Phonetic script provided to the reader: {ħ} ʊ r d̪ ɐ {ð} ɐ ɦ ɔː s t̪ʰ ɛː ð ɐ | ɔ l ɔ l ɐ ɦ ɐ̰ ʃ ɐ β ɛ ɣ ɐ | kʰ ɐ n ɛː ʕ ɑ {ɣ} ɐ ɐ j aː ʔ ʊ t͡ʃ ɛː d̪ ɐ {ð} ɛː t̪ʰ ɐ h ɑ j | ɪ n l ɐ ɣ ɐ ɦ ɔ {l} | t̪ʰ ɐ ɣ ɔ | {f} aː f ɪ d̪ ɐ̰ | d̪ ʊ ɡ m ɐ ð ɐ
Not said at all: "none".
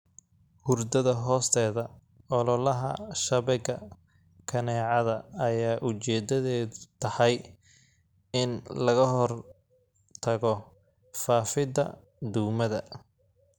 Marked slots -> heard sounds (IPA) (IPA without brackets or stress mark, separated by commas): h, ð, ð, ð, r, f